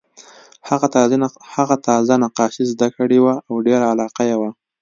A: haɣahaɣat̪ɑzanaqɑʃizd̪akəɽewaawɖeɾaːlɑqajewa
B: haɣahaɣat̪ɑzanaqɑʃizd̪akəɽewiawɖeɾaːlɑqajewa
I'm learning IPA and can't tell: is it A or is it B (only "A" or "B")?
A